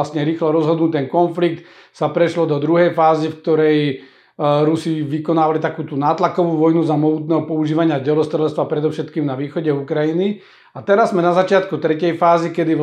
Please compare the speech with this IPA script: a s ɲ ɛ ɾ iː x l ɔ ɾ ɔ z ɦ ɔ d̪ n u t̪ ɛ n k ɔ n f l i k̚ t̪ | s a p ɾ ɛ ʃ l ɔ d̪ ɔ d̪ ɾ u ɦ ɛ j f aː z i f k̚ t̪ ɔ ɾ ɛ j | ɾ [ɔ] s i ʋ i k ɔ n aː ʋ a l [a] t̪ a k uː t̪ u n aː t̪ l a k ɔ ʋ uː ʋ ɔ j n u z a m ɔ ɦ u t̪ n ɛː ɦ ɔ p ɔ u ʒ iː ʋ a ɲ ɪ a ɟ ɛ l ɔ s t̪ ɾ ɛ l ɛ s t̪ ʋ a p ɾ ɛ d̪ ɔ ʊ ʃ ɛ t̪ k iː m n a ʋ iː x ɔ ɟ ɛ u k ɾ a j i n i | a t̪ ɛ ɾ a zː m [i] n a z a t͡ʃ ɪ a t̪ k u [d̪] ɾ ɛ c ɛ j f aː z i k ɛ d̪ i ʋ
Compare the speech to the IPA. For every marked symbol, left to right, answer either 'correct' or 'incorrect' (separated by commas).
incorrect, incorrect, incorrect, incorrect